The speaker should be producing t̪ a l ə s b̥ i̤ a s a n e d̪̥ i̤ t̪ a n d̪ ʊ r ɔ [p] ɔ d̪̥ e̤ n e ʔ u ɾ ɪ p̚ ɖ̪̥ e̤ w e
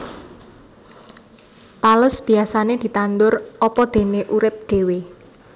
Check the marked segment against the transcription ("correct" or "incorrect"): correct